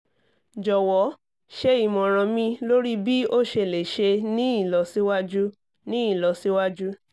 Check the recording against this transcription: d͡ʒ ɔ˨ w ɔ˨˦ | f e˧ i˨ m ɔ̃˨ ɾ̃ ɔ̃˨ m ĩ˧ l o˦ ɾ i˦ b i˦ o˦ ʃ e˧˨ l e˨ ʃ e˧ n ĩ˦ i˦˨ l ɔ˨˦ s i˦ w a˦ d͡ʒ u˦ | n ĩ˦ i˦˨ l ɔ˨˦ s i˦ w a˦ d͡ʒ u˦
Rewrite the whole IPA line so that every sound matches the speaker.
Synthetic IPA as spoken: d͡ʒ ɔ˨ w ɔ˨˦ | ʃ e˧ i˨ m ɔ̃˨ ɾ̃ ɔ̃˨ m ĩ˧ l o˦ ɾ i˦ b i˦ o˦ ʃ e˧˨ l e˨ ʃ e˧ n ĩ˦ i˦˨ l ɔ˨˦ s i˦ w a˦ d͡ʒ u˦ | n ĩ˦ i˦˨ l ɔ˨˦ s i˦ w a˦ d͡ʒ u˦